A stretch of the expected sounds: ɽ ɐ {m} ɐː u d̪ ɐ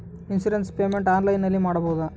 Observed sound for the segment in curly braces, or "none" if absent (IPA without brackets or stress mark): b